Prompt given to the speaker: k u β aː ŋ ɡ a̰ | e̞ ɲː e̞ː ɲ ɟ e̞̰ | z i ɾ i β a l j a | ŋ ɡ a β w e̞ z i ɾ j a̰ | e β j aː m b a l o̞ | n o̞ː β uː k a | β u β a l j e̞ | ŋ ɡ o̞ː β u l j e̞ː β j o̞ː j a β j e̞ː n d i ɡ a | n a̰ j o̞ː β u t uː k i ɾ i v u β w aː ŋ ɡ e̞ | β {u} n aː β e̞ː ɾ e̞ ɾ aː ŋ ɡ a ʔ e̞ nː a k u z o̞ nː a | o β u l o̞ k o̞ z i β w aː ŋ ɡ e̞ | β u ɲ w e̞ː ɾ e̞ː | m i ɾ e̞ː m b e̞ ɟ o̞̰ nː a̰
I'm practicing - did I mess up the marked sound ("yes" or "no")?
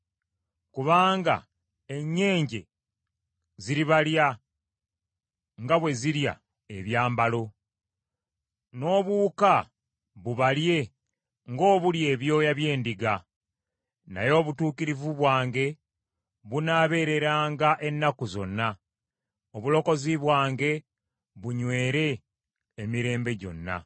no